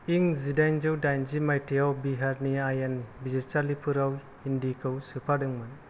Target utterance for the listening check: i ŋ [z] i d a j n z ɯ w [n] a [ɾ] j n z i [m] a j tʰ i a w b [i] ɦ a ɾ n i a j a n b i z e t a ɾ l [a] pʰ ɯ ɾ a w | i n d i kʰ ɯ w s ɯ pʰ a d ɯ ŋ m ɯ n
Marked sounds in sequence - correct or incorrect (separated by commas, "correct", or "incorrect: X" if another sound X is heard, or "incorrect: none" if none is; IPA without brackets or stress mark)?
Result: correct, incorrect: d, incorrect: none, correct, correct, incorrect: i